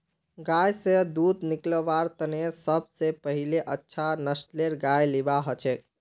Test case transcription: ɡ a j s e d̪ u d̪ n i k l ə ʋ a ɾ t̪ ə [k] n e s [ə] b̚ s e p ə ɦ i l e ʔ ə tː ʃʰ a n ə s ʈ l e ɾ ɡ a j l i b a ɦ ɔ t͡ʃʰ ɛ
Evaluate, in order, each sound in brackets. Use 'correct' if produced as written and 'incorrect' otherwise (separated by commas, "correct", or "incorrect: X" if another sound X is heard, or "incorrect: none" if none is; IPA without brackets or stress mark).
incorrect: none, correct